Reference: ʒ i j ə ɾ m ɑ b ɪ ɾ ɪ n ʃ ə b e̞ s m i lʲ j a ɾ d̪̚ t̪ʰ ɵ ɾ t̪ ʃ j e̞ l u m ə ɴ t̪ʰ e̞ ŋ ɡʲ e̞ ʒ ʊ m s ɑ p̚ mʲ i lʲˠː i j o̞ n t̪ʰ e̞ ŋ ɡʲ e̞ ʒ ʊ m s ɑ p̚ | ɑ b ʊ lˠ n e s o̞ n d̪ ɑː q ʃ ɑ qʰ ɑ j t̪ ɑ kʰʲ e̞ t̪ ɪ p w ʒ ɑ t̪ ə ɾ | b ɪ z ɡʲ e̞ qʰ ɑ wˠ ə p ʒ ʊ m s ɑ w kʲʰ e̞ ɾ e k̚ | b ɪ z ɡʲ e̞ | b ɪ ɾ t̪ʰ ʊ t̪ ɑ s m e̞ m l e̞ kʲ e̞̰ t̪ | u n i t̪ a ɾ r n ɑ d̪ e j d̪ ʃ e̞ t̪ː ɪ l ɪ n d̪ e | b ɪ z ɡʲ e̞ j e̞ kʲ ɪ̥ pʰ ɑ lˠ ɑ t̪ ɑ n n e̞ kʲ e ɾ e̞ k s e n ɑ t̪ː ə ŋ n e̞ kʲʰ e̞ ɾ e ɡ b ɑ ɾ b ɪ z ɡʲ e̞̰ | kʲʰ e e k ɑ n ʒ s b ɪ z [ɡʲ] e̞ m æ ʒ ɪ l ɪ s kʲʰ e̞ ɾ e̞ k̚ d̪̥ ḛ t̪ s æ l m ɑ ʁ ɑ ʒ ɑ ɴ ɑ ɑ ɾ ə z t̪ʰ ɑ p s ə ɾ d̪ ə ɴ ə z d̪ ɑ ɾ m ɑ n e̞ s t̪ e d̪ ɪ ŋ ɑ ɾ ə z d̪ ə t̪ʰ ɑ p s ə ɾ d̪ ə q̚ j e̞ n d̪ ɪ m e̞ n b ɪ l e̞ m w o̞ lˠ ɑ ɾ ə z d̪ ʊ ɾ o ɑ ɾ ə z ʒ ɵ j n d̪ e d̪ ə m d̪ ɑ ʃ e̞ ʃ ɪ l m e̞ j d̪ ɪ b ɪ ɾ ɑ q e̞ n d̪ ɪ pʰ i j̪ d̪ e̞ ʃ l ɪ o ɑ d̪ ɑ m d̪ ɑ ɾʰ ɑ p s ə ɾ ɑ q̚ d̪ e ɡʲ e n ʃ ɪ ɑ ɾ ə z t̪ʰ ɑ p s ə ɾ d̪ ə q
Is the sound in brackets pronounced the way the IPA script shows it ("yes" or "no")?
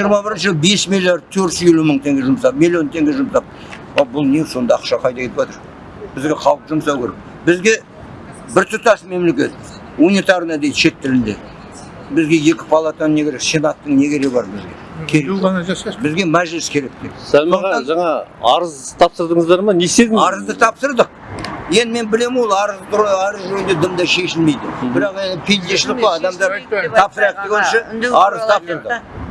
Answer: yes